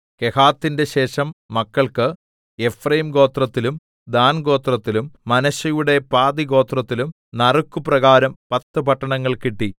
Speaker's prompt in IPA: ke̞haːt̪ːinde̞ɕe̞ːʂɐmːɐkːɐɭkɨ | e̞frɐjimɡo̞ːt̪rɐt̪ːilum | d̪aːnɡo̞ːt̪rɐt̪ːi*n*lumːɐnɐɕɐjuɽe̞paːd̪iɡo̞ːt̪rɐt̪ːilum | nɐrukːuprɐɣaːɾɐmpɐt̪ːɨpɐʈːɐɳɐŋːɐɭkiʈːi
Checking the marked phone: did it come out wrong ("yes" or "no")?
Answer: yes